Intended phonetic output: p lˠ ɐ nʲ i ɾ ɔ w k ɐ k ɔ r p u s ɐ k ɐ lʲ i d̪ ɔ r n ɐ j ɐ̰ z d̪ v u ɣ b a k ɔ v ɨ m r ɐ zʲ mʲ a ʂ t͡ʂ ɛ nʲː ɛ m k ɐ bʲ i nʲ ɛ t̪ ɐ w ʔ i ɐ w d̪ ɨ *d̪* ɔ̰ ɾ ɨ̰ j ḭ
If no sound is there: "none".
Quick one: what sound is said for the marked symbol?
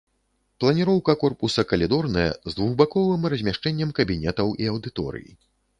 t̪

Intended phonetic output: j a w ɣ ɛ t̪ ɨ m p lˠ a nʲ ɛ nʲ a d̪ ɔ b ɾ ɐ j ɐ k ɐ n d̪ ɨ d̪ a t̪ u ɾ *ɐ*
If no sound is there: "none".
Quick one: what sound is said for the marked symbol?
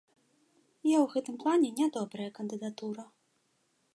ɐ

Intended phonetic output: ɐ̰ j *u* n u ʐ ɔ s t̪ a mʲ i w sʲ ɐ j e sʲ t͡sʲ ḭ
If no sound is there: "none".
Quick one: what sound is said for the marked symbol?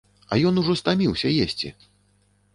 ɔ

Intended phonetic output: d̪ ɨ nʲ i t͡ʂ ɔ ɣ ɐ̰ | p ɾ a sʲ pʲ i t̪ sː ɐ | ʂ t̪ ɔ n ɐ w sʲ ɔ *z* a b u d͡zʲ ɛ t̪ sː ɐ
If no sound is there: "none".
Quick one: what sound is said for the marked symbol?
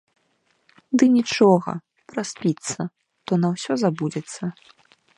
z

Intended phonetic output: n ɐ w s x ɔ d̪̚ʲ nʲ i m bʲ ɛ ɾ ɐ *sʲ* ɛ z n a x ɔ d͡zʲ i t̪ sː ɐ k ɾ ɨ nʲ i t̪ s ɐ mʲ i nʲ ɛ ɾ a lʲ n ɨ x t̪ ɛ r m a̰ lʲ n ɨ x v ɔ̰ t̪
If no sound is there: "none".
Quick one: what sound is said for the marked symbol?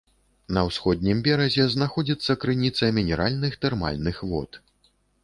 zʲ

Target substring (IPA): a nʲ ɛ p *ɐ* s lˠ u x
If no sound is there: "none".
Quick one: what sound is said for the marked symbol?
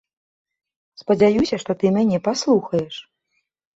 a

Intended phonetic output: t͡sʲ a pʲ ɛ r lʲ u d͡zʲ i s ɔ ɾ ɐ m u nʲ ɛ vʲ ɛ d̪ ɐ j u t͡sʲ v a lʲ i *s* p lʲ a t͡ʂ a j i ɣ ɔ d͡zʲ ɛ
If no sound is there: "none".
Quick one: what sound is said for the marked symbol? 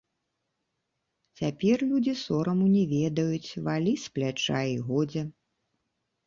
s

